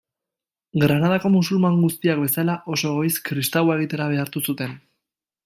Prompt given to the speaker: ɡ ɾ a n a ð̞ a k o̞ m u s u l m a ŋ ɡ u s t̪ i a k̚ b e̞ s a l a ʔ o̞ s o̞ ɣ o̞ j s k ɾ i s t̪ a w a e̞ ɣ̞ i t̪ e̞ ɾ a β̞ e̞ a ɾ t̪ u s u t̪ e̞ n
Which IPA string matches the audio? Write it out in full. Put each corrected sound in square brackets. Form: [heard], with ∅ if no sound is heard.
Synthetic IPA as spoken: ɡ ɾ a n a ð̞ a k o̞ m u s u l m a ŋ ɡ u s t̪ i a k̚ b e̞ s a l a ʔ o̞ s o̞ ɣ o̞ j s k ɾ i s t̪ a w a e̞ ɣ̞ i t̪ e̞ ɾ a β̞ e̞ a ɾ t̪ u s u t̪ e̞ n